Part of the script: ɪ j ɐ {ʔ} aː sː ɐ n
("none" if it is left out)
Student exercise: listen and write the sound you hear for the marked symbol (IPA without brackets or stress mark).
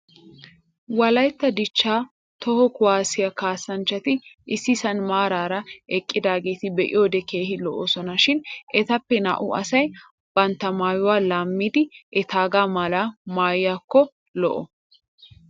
k